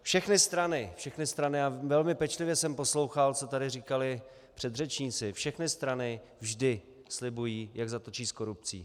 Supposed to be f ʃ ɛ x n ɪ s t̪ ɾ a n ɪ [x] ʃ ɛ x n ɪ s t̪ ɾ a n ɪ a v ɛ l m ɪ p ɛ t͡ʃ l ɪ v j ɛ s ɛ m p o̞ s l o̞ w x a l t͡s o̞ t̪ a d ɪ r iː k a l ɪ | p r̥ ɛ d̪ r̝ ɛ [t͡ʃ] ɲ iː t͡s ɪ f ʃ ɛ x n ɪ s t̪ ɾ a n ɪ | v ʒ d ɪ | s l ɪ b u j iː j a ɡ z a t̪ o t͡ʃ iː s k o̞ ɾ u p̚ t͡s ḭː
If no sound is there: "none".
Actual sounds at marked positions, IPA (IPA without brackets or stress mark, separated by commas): f, t͡ʃ